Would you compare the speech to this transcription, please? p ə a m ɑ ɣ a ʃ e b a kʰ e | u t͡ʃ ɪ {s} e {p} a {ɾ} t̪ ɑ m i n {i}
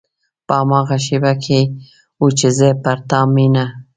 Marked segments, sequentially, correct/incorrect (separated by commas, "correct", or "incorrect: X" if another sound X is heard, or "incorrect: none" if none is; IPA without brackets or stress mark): incorrect: z, correct, correct, incorrect: a